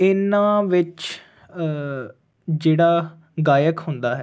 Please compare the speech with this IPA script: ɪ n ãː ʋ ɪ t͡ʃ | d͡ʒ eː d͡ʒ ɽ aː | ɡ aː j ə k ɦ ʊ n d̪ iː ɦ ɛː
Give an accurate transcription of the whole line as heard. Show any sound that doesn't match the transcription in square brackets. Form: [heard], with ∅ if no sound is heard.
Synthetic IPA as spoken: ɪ n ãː ʋ ɪ t͡ʃ | d͡ʒ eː [∅] ɽ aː | ɡ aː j ə k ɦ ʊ n d̪ [aː] ɦ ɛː